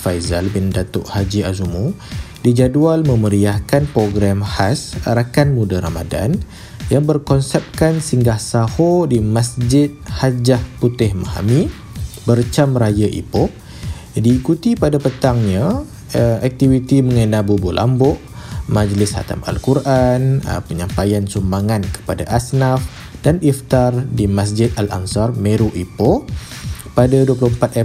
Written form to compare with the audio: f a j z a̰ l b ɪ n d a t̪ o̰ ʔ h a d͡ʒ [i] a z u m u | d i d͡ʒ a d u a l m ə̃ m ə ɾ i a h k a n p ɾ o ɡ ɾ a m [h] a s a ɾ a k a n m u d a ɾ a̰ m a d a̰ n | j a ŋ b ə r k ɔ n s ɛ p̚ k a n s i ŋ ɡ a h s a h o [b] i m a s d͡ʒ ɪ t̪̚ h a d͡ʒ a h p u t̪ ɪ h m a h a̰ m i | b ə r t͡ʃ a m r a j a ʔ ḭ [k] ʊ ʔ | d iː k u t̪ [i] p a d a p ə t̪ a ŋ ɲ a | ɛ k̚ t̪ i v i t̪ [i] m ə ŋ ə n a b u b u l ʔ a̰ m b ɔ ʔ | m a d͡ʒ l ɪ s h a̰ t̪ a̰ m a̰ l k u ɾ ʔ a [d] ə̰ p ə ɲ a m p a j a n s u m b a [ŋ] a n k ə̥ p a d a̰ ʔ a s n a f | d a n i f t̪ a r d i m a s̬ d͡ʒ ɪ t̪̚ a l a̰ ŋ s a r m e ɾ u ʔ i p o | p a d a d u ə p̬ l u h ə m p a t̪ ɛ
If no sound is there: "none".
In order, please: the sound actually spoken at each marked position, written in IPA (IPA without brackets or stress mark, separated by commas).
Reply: i, h, d, p, i, i, n, ŋ